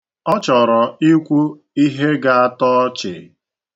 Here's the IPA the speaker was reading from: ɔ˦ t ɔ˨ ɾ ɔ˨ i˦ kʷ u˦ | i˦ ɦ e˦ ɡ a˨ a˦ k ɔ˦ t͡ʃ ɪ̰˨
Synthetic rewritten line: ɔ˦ t͡ʃ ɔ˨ ɾ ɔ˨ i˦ kʷ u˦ | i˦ ɦ e˦ ɡ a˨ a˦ t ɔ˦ t͡ʃ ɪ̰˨